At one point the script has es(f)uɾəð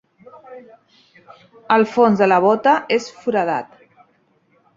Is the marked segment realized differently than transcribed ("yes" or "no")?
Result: no